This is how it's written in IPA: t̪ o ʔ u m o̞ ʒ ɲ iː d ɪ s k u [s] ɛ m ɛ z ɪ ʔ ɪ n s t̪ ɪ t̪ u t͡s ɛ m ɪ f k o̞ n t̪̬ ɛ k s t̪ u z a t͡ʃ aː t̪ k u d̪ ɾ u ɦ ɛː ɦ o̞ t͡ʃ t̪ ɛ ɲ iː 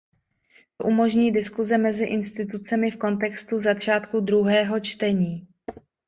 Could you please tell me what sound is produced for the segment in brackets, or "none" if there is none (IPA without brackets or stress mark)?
z